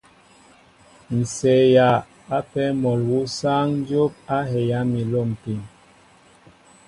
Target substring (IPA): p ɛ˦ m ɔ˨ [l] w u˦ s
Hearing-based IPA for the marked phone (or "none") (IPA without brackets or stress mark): l